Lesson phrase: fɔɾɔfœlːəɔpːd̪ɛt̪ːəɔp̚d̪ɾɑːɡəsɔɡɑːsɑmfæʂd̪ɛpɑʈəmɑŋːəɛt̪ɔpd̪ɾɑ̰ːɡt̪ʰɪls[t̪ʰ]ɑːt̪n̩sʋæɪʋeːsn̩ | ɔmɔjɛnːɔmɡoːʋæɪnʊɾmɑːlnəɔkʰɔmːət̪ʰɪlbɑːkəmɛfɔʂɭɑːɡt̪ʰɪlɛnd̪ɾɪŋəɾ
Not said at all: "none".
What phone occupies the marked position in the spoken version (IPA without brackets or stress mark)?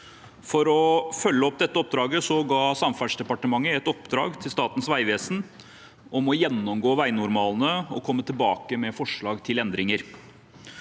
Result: t̪